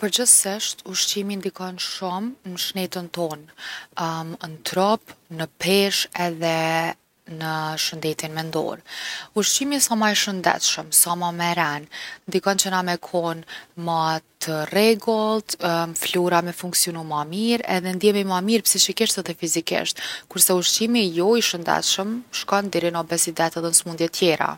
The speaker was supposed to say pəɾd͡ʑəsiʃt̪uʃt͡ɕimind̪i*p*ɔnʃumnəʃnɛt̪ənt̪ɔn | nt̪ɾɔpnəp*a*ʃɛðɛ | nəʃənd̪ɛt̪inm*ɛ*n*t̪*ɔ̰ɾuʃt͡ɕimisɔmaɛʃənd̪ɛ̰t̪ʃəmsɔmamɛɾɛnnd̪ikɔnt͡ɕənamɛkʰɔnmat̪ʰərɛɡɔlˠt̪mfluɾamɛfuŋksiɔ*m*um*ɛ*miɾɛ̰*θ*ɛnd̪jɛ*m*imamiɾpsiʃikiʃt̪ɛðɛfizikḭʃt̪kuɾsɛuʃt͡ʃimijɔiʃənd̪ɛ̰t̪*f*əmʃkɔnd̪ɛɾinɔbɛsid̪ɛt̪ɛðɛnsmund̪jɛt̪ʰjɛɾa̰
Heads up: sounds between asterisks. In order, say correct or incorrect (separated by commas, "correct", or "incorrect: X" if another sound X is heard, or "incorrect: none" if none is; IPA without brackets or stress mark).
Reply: incorrect: k, incorrect: ɛ, correct, incorrect: d̪, incorrect: n, incorrect: a, incorrect: ð, correct, incorrect: ʃ